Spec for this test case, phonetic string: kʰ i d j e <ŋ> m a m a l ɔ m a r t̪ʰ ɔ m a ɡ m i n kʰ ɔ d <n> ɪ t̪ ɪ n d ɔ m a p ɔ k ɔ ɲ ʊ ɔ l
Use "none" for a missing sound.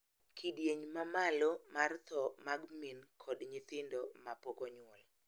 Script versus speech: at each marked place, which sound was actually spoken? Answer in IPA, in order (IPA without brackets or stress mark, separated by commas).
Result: ɲ, ɲ